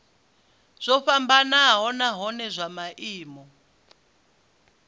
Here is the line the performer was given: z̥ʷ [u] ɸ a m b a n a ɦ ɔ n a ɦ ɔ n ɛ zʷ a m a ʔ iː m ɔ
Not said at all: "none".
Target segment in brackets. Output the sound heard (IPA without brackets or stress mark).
ɔ